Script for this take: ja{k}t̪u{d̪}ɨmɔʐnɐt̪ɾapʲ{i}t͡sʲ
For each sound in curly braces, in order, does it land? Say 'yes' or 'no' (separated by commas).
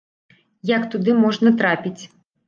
yes, yes, yes